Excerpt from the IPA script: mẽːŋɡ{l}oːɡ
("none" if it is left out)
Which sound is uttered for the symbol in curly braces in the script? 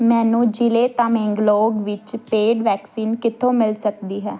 l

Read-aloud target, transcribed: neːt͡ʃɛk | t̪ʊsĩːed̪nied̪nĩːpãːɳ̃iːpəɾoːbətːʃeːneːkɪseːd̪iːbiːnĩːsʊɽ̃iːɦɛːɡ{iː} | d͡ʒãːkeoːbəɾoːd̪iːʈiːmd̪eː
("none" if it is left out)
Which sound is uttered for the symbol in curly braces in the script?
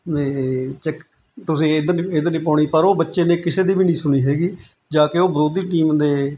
iː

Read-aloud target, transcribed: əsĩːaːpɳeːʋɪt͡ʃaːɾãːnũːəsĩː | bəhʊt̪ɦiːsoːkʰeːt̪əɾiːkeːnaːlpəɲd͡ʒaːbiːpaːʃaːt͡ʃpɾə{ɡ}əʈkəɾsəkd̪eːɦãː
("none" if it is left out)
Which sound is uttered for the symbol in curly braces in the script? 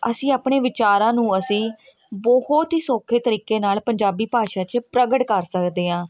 ɡ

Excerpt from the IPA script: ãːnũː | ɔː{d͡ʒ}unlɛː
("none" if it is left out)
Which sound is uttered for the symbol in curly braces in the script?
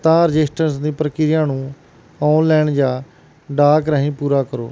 none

